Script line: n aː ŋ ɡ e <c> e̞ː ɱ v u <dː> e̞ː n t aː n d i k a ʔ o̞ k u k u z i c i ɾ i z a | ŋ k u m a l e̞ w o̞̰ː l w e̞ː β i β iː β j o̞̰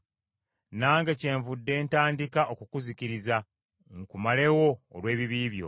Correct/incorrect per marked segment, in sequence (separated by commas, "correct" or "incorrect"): correct, correct